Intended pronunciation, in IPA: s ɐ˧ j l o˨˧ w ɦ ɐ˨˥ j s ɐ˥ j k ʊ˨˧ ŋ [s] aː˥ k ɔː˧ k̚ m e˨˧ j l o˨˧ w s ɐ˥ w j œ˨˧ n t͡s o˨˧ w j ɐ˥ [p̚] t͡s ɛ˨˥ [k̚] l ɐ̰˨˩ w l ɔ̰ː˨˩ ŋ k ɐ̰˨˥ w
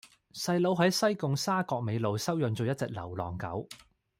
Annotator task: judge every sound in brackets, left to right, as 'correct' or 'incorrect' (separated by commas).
correct, incorrect, correct